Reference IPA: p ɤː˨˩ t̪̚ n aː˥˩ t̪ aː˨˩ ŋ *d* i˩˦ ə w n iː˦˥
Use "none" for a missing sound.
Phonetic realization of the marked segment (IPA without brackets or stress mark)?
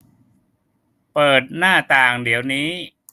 d